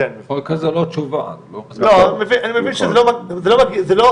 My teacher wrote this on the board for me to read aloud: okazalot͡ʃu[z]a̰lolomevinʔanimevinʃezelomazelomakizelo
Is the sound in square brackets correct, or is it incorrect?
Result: incorrect